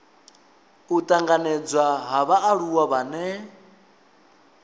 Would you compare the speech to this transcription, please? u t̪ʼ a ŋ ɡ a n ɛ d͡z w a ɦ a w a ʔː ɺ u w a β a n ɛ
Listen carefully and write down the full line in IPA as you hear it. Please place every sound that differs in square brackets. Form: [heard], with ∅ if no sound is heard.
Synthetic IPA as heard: u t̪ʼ a ŋ ɡ a n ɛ d͡z w a ɦ a [β] a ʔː ɺ u w a β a n ɛ

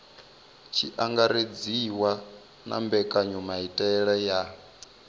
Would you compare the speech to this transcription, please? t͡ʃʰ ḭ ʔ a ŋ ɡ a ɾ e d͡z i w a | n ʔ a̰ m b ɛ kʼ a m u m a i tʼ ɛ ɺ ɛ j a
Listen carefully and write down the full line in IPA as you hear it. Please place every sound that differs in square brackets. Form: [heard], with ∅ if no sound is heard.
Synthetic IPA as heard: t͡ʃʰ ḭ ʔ a ŋ ɡ a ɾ e d͡z i w a | n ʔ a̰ m b ɛ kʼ a [ɲ] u m a i tʼ ɛ ɺ ɛ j a

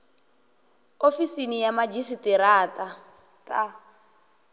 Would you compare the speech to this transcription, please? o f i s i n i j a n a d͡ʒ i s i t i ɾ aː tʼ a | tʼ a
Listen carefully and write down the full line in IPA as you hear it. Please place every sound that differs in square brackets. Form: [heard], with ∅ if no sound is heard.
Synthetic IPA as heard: o f i s i n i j a [m] a d͡ʒ i s i t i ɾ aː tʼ a | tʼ a

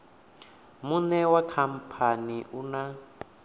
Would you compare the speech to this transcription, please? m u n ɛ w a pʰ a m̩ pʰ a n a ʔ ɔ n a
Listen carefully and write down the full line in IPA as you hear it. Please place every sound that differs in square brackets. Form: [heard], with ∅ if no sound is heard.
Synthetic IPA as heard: m u n ɛ w a [kʰ] a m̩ pʰ a n [i] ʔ [u] n a

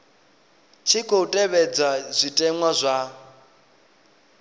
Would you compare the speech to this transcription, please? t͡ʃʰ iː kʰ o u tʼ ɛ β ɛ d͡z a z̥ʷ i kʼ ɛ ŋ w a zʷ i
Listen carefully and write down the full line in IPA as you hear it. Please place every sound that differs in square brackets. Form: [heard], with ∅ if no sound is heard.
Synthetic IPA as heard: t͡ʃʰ [i] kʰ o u tʼ ɛ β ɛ d͡z a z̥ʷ i [tʼ] ɛ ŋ w a zʷ [a]

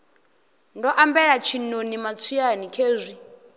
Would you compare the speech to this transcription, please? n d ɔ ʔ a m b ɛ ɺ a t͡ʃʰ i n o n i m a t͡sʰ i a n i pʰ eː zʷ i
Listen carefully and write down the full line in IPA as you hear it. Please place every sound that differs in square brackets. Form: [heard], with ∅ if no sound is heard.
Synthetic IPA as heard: n d ɔ ʔ a m b ɛ ɺ a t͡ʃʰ i n o n i m a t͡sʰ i a n i [kʰ] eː zʷ i

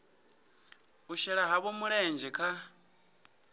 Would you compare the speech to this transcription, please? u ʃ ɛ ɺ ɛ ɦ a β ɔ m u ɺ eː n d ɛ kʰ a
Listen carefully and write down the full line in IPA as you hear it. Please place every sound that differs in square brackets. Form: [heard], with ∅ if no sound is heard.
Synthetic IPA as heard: u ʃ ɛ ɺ [a] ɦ a β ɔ m u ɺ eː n [d͡ʒ] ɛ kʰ a

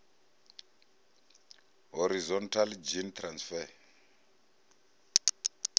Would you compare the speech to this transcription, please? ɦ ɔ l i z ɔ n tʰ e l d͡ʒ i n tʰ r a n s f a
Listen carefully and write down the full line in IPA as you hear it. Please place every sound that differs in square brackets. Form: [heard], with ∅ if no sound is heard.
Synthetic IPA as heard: ɦ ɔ [ɾ] i z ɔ n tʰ [a] l d͡ʒ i n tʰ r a n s f [ɛ]

